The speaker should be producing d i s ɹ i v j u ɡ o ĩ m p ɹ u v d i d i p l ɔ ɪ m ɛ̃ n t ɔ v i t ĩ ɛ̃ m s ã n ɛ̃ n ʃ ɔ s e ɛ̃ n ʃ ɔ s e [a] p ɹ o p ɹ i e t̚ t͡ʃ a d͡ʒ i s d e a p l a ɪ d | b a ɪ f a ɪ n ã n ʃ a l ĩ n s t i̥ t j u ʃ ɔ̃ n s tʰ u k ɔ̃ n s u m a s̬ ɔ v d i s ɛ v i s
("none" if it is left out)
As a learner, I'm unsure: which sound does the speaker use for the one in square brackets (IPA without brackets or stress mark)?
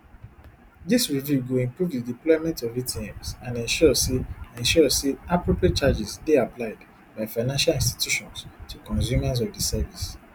a